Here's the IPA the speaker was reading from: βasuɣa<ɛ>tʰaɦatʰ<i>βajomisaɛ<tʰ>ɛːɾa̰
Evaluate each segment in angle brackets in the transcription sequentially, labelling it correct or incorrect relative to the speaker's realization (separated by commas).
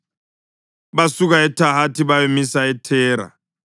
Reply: correct, correct, correct